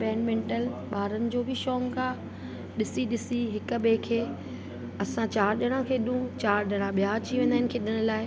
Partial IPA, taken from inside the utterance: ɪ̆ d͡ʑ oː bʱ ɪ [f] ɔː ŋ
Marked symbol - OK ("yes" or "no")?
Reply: no